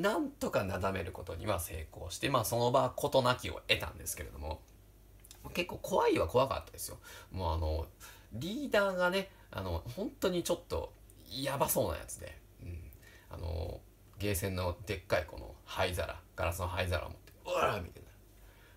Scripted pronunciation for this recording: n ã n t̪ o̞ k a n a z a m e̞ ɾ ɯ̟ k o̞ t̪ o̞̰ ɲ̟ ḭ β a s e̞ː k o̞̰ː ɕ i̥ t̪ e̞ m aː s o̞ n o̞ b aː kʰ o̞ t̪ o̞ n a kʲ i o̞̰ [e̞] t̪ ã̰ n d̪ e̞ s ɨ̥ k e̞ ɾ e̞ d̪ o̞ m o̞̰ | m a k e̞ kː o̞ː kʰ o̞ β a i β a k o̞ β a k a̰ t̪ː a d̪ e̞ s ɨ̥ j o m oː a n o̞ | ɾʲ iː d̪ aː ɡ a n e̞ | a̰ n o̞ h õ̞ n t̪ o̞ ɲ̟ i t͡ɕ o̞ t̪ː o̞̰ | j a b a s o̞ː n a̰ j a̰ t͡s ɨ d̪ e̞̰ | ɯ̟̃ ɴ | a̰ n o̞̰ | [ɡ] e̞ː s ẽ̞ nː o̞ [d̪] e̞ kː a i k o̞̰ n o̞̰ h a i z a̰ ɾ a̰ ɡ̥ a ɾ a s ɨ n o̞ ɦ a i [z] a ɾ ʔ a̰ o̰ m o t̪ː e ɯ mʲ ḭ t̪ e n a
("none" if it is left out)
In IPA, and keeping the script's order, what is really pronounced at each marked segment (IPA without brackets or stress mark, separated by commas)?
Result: e̞, ɡ, d̪, z